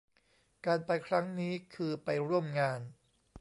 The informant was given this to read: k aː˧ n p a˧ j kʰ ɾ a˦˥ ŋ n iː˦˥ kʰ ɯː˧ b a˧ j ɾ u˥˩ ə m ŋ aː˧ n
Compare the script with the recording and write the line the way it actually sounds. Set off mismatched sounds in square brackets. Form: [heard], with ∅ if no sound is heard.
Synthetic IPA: k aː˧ n p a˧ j kʰ ɾ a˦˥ ŋ n iː˦˥ kʰ ɯː˧ [p] a˧ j ɾ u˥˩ ə m ŋ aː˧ n